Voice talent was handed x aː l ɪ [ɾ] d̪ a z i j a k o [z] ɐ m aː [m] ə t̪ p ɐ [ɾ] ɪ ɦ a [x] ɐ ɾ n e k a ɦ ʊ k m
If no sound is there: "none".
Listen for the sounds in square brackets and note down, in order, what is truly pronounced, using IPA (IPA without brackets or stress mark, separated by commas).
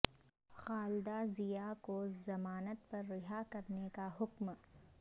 none, z, n, ɾː, k